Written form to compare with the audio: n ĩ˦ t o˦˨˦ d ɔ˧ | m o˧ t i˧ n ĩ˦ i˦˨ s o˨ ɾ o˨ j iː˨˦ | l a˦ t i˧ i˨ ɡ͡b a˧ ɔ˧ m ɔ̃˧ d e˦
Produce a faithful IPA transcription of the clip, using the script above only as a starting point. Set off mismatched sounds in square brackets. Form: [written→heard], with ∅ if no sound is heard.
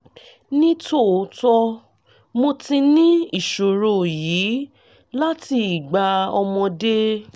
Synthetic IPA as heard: n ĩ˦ t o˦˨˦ [d→t] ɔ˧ | m o˧ t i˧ n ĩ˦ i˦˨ [s→ʃ] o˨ ɾ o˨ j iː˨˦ | l a˦ t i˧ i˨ ɡ͡b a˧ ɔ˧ m ɔ̃˧ d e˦